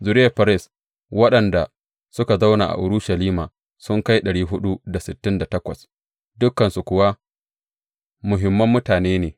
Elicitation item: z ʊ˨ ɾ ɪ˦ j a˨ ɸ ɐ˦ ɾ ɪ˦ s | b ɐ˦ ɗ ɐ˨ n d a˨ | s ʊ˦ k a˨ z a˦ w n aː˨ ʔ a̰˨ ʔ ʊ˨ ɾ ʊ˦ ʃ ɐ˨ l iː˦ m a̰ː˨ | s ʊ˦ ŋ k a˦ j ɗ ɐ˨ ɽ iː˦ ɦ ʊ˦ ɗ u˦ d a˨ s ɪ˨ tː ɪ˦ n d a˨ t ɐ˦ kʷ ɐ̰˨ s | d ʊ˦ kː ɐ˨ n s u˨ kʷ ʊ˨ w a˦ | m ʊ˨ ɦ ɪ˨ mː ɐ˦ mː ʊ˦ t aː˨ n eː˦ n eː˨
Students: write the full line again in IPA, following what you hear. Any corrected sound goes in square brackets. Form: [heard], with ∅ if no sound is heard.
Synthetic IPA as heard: z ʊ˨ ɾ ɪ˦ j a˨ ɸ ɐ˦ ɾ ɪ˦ s | [w] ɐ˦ ɗ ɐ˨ n d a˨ | s ʊ˦ k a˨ z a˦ w n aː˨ ʔ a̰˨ ʔ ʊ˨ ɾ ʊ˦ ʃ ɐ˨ l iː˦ m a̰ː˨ | s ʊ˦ ŋ k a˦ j ɗ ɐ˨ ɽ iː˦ ɦ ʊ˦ ɗ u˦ d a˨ s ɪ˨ tː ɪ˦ n d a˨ t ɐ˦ kʷ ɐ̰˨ s | d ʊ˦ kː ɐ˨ n s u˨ kʷ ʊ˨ w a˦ | m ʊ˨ ɦ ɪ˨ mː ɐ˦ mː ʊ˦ t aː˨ n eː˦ n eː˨